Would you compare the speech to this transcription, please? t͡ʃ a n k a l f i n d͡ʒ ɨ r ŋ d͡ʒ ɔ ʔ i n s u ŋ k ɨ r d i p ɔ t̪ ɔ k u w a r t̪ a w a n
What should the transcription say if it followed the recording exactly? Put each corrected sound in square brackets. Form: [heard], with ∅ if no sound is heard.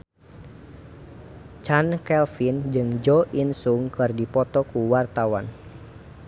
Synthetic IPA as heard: t͡ʃ a n k [ɛ] l f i n d͡ʒ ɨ [∅] ŋ d͡ʒ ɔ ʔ i n s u ŋ k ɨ r d i p ɔ t̪ ɔ k u w a r t̪ a w a n